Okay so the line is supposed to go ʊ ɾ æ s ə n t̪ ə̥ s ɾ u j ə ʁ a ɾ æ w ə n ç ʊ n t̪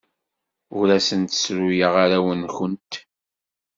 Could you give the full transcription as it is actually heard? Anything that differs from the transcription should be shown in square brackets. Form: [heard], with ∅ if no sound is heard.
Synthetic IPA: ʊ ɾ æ s ə n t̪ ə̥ s ɾ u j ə ʁ a ɾ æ w ə n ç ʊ n t̪